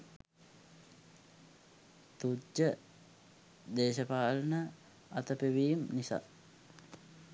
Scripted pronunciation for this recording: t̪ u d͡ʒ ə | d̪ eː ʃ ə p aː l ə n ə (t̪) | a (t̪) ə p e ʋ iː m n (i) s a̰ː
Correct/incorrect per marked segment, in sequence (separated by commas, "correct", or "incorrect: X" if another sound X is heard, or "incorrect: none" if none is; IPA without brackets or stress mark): incorrect: none, correct, correct